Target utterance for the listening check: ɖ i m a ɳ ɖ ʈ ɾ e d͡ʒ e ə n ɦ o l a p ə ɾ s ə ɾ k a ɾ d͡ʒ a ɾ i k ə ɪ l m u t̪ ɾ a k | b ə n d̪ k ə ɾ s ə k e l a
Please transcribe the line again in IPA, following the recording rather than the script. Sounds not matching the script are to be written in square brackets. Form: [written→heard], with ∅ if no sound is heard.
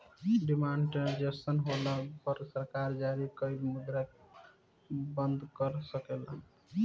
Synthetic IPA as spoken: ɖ i m a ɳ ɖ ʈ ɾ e d͡ʒ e ə n ɦ o l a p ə ɾ s ə ɾ k a ɾ d͡ʒ a ɾ i k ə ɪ l m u [t̪→d̪] ɾ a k | b ə n d̪ k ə ɾ s ə k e l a